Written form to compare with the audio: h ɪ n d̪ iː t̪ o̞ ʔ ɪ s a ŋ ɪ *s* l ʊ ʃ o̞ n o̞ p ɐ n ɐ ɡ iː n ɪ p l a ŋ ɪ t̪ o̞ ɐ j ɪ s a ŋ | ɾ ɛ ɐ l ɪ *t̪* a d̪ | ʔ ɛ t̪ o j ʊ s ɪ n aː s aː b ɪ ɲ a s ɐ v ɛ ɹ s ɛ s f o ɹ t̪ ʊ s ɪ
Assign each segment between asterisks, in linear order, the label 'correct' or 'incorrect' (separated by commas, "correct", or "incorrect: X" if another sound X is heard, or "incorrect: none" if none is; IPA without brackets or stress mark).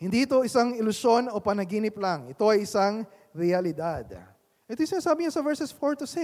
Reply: incorrect: none, incorrect: d̪